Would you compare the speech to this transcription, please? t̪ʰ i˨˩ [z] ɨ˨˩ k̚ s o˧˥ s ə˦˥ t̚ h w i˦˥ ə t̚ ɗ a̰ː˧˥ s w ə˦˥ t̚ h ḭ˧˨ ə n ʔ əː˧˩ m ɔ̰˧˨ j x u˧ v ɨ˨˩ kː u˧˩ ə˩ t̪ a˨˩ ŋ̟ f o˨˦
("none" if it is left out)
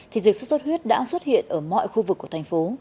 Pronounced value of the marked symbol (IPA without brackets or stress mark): z